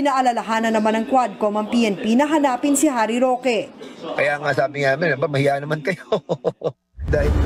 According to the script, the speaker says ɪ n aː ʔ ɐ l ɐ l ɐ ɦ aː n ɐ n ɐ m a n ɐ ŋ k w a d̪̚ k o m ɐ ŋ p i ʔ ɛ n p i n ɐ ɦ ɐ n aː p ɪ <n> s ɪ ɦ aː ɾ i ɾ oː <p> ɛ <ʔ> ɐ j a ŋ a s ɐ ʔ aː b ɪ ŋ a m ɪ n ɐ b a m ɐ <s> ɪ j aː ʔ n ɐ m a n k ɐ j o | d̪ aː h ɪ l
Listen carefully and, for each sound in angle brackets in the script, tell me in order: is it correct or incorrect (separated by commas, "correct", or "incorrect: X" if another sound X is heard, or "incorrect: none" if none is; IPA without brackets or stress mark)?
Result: correct, incorrect: k, incorrect: k, incorrect: h